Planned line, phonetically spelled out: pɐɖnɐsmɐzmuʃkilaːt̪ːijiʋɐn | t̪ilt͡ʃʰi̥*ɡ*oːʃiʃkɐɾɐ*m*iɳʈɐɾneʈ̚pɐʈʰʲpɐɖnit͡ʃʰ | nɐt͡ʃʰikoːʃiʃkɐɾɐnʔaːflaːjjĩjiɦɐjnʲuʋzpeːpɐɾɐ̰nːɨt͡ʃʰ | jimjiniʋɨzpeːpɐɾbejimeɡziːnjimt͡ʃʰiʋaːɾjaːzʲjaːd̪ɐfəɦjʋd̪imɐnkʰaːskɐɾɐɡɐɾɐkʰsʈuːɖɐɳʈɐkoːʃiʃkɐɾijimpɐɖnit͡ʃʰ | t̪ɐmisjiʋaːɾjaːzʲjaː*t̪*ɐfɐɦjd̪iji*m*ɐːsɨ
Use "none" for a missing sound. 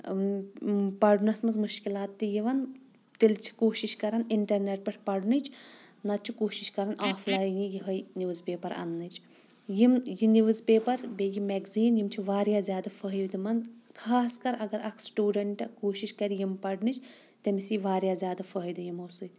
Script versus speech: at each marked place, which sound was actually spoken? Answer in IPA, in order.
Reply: k, n, d̪, m

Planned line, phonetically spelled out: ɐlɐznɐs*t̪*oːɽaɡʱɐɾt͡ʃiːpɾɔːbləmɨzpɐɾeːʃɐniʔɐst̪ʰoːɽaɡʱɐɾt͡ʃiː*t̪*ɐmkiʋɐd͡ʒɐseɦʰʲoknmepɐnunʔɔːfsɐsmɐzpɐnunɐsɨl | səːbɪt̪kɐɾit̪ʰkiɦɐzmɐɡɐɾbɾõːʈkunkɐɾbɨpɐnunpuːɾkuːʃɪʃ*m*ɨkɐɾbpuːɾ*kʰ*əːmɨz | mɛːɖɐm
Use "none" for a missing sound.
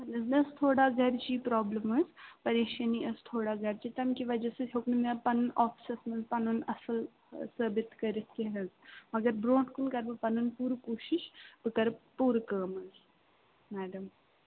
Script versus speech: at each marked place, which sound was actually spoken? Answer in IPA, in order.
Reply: t̪ʰ, t̪, b, k

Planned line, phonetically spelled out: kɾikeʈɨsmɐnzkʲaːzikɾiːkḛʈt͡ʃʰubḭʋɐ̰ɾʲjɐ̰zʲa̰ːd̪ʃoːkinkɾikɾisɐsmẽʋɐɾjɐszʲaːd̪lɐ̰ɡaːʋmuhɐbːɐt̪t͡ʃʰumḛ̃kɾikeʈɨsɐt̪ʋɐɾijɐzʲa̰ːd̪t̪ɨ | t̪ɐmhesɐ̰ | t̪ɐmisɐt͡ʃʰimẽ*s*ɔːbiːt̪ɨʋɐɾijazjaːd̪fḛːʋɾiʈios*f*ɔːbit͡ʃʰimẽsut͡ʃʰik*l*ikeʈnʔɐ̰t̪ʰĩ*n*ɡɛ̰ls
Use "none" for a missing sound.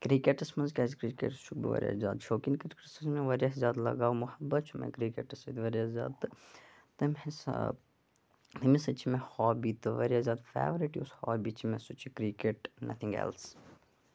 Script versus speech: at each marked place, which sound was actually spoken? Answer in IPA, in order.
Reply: h, h, ɾ, ŋ

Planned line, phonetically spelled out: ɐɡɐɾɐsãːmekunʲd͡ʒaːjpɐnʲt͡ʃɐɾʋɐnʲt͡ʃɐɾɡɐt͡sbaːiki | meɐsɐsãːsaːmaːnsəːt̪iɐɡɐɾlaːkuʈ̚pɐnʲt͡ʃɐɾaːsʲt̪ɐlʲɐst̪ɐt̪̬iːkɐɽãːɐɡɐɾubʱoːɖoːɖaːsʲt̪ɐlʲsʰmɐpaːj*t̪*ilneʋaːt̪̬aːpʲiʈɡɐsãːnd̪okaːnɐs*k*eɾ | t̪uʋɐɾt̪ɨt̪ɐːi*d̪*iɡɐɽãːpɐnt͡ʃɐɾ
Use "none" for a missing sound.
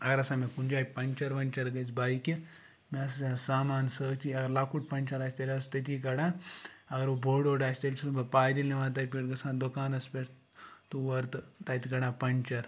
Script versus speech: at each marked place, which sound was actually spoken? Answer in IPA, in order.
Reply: d̪, p, t̪

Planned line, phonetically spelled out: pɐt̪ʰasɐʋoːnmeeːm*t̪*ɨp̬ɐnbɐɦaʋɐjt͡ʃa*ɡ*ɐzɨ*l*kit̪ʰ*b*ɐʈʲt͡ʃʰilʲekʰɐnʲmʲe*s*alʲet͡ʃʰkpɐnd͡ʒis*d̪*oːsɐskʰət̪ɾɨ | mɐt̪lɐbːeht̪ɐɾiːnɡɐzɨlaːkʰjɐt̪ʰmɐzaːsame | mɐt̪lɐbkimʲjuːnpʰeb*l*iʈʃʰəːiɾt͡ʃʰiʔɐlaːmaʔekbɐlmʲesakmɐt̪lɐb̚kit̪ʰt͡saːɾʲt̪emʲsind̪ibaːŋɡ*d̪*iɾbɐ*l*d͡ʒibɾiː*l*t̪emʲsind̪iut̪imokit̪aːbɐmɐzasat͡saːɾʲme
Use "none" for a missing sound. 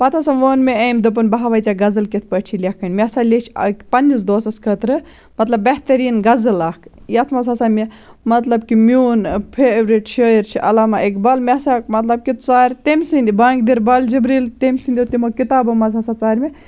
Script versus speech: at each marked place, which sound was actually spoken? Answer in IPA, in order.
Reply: d̪, ɡ, l, p, s, d̪, ɾ, d̪, l, l

